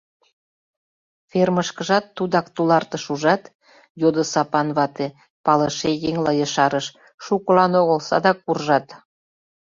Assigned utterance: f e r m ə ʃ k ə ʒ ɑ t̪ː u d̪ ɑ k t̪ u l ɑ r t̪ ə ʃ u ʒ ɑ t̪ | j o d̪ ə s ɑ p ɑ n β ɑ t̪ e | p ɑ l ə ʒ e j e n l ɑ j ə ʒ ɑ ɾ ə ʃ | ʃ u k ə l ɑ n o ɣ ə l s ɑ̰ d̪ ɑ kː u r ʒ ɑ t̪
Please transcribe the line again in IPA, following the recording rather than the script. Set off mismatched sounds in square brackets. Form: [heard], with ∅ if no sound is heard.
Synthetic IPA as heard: f e r m ə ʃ k ə ʒ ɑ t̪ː u d̪ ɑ k t̪ u l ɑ r t̪ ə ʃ u ʒ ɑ t̪ | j o d̪ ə s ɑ p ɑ n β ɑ t̪ e | p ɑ l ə [ʃ] e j e [ŋ] l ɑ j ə [ʃ] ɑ ɾ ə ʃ | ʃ u k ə l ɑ n o ɣ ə l s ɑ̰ d̪ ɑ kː u r ʒ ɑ t̪